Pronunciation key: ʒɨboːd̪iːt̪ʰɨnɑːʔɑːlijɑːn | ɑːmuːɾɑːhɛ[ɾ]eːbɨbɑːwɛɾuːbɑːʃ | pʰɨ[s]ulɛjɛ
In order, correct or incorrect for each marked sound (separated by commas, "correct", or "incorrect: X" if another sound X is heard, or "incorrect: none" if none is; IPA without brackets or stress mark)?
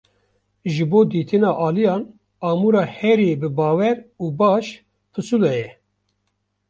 correct, correct